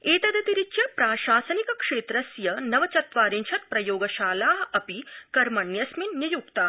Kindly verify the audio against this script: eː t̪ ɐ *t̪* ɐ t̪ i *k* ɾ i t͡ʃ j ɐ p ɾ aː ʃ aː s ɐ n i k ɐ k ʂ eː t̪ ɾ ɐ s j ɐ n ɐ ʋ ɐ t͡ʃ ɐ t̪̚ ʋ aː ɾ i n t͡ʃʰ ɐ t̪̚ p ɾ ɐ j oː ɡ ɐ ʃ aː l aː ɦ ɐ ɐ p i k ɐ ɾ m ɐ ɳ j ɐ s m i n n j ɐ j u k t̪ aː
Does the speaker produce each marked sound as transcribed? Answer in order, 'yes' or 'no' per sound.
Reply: no, no

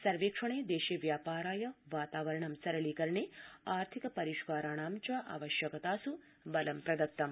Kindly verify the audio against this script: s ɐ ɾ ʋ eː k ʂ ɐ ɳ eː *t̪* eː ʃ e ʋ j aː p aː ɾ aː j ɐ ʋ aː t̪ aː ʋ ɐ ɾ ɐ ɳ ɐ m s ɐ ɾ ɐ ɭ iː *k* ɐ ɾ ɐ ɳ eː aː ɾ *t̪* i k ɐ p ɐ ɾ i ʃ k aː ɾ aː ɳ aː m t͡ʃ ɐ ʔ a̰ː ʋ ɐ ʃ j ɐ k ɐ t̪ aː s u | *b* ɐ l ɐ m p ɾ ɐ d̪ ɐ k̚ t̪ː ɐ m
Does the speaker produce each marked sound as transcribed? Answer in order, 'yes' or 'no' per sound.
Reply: no, yes, no, yes

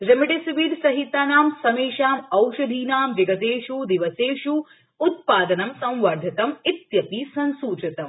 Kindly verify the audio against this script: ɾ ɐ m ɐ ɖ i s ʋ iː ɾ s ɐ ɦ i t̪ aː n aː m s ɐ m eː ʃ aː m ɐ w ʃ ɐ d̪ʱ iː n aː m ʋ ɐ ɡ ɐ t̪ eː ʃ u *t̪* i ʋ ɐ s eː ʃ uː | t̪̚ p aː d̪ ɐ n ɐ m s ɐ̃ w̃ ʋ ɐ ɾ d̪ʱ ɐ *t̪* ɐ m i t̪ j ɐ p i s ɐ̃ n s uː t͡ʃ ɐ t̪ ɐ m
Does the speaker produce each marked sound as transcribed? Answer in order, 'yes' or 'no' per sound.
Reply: no, yes

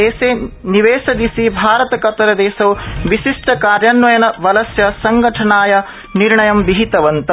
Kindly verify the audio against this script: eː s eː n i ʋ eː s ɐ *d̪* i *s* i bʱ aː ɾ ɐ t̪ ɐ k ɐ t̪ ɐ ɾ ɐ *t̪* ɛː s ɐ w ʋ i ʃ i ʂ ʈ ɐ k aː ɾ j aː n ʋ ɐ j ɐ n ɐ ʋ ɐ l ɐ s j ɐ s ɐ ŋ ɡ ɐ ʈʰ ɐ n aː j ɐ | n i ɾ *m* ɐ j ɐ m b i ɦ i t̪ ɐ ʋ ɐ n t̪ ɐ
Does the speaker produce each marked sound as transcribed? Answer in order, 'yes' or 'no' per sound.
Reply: yes, yes, no, no

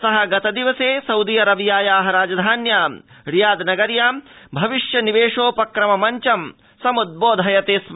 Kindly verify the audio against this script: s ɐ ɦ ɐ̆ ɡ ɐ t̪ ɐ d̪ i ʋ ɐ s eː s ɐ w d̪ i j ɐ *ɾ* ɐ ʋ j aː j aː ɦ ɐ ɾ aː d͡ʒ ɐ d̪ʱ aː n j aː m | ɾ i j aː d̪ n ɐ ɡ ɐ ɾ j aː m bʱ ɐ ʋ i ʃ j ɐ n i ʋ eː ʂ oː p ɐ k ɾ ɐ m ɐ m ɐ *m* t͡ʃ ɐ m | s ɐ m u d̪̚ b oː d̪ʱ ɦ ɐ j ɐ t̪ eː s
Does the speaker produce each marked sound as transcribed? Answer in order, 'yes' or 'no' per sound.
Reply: yes, no

